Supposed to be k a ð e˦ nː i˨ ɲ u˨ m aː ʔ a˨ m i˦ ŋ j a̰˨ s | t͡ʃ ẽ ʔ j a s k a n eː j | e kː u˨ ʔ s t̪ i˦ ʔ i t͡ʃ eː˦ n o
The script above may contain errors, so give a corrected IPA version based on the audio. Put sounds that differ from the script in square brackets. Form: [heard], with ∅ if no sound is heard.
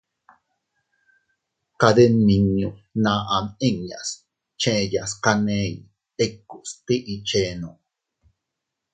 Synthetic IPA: k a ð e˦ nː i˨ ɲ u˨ [n] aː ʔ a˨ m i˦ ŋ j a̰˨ s | t͡ʃ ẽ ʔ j a s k a n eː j | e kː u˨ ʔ s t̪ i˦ ʔ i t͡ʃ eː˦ n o

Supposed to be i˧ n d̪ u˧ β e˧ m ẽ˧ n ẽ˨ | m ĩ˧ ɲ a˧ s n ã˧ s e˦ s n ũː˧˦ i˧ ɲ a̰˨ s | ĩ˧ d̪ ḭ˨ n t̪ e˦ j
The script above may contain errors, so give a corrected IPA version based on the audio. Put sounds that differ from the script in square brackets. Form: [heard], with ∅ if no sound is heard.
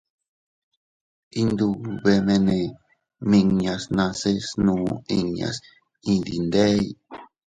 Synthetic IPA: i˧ n d̪ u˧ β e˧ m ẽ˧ n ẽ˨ | m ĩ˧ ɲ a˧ s n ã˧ s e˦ s n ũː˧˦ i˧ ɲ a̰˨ s | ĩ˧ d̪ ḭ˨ n [d̪] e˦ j

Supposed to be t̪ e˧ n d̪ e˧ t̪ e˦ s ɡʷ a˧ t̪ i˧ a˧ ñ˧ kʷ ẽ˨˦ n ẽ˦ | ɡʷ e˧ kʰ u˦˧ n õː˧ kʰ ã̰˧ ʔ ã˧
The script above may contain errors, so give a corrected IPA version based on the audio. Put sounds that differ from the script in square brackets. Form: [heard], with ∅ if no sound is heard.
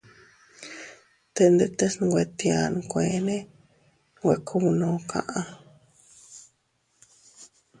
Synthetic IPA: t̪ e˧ n d̪ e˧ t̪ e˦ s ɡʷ [e˧] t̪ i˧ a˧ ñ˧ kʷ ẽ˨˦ n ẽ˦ | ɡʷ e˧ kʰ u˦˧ n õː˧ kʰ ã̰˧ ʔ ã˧

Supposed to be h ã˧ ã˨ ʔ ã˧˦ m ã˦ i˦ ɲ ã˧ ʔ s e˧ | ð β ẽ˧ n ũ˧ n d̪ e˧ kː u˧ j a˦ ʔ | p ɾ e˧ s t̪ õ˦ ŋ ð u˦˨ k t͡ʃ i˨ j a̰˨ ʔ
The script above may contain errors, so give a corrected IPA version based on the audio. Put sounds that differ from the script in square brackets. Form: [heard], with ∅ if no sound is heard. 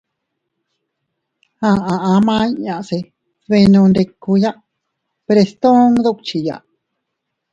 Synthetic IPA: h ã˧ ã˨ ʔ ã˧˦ m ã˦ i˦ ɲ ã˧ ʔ s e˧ | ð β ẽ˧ n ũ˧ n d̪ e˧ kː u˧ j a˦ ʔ | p ɾ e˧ s t̪ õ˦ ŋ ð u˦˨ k t͡ʃ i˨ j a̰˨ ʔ

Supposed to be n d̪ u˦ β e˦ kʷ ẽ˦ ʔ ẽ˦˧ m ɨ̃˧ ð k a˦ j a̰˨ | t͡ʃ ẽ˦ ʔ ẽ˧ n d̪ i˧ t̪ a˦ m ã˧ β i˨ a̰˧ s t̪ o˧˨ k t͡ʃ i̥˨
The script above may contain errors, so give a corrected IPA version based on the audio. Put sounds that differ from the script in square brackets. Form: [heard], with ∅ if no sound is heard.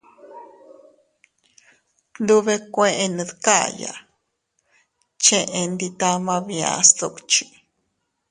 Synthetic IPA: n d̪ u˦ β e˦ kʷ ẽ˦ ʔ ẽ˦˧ [n] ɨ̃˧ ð k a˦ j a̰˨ | t͡ʃ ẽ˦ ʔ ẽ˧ n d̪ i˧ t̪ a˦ m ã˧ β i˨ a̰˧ s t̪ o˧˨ k t͡ʃ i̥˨

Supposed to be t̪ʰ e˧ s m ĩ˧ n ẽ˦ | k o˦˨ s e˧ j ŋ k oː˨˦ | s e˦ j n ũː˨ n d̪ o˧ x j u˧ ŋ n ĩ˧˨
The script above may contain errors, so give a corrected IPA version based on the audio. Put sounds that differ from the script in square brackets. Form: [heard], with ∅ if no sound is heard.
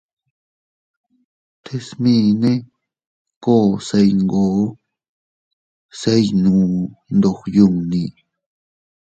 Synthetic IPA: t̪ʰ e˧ s m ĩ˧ n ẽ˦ | k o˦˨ s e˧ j ŋ [ɡ] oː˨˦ | s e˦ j n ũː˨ n d̪ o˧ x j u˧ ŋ n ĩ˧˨

